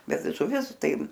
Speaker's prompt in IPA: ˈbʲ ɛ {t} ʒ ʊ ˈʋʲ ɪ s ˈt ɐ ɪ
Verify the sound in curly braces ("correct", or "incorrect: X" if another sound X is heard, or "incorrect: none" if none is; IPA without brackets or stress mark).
correct